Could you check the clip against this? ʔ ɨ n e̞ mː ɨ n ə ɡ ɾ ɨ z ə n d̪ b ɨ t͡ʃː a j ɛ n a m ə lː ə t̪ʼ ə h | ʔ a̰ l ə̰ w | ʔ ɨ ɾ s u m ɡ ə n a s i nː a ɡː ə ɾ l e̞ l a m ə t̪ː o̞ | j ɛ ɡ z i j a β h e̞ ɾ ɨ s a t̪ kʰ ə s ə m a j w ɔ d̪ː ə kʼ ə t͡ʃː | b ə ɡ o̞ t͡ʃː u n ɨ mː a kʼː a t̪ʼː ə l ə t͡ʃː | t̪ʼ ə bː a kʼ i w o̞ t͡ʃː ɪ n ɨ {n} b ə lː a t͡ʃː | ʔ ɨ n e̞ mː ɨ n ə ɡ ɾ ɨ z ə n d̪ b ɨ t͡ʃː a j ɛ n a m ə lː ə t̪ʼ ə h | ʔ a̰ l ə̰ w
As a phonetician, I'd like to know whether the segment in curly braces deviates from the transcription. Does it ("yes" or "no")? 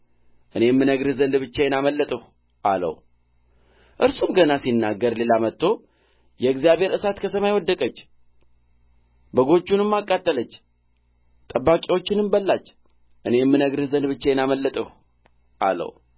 yes